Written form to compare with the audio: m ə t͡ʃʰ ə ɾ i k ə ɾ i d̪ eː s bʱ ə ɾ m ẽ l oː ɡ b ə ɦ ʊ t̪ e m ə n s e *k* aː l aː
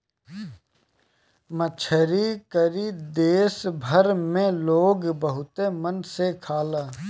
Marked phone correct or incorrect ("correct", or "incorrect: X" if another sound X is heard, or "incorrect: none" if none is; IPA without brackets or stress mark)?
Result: incorrect: kʰ